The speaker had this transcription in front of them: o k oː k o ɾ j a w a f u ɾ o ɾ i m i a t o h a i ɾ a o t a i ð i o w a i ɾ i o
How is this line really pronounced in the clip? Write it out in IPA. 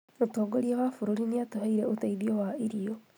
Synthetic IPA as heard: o t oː ɡ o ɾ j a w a f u ɾ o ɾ i n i a t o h a i ɾ e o t a i ð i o w a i ɾ i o